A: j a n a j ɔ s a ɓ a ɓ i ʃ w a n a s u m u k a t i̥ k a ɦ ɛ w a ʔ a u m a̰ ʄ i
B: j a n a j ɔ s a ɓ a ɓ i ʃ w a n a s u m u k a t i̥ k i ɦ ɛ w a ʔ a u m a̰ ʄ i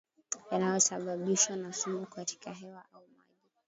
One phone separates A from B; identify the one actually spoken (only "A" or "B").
A